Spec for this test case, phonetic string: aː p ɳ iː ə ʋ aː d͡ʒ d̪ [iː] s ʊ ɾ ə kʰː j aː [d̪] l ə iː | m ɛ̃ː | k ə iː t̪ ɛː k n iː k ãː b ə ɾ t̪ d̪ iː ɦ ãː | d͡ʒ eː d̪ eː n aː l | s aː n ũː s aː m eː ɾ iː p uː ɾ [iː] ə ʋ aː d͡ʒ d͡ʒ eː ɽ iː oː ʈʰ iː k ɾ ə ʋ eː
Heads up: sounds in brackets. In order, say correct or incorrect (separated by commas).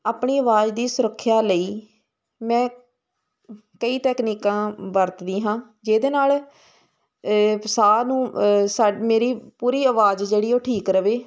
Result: correct, incorrect, correct